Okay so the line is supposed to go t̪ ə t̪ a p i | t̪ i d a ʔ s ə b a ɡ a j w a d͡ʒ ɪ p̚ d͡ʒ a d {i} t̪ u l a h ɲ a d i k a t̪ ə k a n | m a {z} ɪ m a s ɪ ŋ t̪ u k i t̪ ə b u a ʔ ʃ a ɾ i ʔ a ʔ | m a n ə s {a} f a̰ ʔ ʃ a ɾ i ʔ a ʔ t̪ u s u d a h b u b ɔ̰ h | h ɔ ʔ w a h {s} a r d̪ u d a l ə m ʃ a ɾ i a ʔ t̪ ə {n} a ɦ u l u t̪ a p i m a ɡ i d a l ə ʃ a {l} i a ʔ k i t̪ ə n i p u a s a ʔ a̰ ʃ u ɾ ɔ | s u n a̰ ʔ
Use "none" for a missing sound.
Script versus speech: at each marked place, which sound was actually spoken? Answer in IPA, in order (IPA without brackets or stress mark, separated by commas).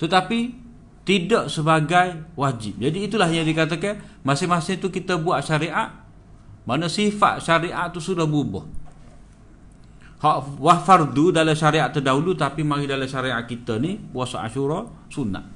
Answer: iː, s, i, f, d, ɾ